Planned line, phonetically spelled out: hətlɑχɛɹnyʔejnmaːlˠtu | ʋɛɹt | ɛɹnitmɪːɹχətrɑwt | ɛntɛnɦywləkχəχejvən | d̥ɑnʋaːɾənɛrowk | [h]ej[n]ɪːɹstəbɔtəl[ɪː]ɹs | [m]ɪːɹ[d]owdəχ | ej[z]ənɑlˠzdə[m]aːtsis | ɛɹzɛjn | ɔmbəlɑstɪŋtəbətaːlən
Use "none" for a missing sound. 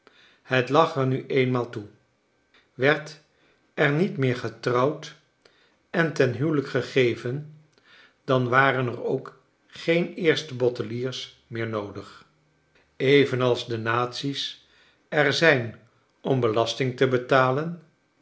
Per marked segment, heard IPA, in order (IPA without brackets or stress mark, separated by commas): χ, n, iː, m, n, v, n